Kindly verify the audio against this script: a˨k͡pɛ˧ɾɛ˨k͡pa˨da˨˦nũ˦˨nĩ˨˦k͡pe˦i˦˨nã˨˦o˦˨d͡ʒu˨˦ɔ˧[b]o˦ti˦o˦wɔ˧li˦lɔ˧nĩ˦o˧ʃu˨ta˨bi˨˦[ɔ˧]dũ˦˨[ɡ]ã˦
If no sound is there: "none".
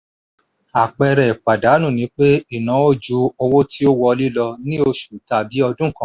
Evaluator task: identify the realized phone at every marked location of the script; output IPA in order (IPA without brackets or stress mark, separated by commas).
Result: w, ɔ˧, k